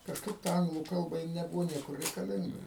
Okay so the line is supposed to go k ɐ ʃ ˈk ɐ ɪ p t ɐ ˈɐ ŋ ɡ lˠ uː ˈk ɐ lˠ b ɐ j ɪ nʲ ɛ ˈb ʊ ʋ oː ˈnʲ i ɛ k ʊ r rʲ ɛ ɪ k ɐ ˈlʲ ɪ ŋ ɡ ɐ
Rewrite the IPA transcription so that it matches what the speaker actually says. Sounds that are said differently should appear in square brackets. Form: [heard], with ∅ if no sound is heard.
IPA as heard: k ɐ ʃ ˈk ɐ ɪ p t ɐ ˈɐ ŋ ɡ lˠ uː ˈk ɐ lˠ b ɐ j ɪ nʲ ɛ ˈb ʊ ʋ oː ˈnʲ i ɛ k ʊ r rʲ ɛ ɪ k ɐ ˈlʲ ɪ ŋ ɡ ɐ